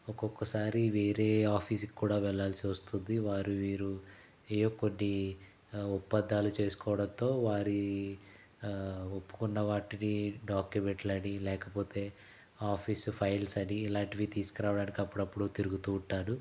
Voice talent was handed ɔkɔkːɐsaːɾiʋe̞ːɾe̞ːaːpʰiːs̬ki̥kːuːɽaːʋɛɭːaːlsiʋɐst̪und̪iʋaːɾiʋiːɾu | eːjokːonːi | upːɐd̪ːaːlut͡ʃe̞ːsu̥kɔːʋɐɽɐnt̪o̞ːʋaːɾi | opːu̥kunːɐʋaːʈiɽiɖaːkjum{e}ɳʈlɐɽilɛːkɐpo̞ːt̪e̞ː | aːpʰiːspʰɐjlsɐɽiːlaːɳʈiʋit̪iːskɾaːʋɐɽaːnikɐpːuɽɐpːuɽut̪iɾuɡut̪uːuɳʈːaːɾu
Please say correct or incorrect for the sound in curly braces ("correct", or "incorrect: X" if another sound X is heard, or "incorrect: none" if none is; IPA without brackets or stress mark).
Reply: correct